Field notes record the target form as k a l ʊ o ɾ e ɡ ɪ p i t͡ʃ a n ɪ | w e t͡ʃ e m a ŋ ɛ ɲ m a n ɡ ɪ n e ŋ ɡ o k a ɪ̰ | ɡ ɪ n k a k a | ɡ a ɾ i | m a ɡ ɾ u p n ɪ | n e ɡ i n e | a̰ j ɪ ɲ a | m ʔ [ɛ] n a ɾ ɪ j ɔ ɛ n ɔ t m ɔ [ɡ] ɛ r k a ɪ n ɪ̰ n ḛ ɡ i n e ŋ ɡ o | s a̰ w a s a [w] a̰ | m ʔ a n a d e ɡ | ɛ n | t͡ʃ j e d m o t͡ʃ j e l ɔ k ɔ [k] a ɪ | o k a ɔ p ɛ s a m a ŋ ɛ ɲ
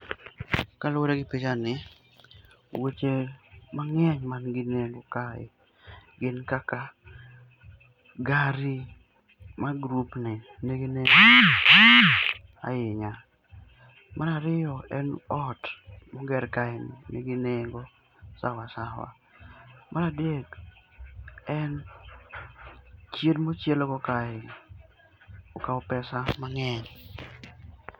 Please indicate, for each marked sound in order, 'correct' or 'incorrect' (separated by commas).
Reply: incorrect, correct, correct, correct